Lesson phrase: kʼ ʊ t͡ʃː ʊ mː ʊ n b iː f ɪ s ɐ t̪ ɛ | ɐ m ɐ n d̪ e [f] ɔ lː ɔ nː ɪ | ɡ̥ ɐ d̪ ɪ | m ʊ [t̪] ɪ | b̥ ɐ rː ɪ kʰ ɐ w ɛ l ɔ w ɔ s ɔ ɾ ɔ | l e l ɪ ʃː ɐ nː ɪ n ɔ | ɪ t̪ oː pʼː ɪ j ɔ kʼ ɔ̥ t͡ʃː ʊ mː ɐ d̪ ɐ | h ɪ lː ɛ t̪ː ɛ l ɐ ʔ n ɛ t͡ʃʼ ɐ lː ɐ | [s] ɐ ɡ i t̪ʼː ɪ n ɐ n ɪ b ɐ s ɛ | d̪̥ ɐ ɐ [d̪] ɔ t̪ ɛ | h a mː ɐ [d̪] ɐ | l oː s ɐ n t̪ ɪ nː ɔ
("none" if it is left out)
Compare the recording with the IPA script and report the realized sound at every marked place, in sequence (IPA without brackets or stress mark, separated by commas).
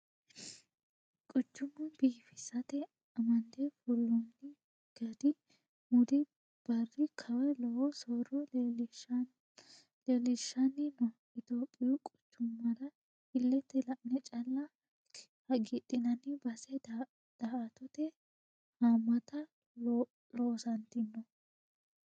f, d̪, h, t̪, t̪